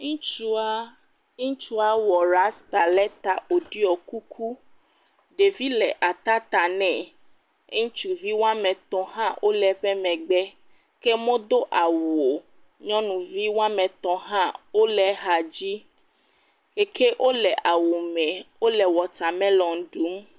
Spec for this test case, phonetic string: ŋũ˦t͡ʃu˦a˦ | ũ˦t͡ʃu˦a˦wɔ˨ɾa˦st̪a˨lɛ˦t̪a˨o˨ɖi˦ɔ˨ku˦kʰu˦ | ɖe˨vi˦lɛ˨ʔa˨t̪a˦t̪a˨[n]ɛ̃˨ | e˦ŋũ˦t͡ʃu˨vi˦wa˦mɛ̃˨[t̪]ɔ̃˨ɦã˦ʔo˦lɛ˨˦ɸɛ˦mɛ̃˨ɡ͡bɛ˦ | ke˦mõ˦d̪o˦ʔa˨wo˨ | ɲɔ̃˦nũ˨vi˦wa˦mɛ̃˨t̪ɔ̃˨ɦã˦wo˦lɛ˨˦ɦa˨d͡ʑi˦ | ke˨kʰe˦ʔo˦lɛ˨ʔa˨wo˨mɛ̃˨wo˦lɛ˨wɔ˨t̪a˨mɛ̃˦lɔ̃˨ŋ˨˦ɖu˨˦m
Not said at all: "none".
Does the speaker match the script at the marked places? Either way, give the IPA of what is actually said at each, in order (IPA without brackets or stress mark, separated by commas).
n, t̪